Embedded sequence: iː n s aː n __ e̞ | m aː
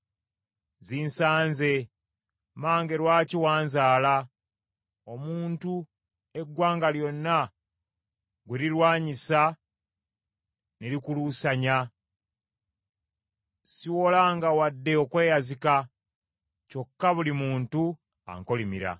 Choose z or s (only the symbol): z